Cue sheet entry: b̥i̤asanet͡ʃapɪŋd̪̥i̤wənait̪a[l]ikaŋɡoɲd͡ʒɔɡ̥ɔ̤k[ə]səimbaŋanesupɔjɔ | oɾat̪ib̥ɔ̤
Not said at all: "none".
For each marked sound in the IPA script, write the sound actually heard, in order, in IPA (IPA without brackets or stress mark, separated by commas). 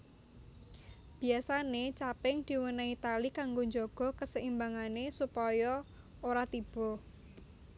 l, ə